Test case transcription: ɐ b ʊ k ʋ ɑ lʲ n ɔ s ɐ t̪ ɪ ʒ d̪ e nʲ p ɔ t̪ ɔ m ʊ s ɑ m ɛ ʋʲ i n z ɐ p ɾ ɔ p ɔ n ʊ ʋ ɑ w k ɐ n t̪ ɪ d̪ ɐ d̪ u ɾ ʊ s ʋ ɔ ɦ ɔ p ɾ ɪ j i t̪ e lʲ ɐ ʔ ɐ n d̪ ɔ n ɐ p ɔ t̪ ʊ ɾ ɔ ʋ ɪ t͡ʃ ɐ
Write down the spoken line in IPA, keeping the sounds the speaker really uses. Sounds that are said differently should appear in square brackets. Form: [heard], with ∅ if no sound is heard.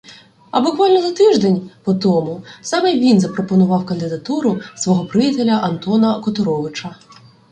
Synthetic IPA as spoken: ɐ b ʊ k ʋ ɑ lʲ n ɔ [z] ɐ t̪ ɪ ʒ d̪ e nʲ p ɔ t̪ ɔ m ʊ s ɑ m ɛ ʋʲ i n z ɐ p ɾ ɔ p ɔ n ʊ ʋ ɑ w k ɐ n [d̪] ɪ d̪ ɐ [t̪] u ɾ ʊ s ʋ ɔ ɦ ɔ p ɾ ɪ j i t̪ e lʲ ɐ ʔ ɐ n [t̪] ɔ n ɐ [k] ɔ t̪ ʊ ɾ ɔ ʋ ɪ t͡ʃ ɐ